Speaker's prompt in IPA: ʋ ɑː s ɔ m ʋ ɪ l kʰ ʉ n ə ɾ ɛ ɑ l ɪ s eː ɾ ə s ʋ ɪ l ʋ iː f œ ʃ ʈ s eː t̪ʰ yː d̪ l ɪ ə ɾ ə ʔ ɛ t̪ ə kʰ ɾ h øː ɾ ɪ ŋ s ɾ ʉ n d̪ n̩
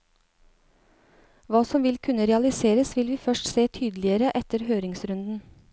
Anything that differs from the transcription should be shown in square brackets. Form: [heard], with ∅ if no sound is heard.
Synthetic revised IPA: ʋ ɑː s ɔ m ʋ ɪ l kʰ ʉ n ə ɾ ɛ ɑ l ɪ s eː ɾ ə s ʋ ɪ l ʋ iː f œ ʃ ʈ s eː t̪ʰ yː d̪ l ɪ ə ɾ ə ʔ ɛ t̪ ə [∅] ɾ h øː ɾ ɪ ŋ s ɾ ʉ n d̪ n̩